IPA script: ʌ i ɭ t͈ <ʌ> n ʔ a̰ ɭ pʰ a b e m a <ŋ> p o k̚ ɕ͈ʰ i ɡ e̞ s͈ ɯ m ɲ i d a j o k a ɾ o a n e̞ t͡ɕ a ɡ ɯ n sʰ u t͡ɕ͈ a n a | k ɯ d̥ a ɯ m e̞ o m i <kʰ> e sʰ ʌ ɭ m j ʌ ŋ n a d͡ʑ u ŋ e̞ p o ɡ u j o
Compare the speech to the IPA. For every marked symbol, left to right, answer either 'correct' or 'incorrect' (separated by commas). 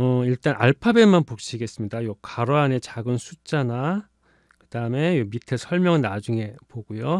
incorrect, incorrect, incorrect